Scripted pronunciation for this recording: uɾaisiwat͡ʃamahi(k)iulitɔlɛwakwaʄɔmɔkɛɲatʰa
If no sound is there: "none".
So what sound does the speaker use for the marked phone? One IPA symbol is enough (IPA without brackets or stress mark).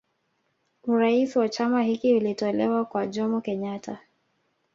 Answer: k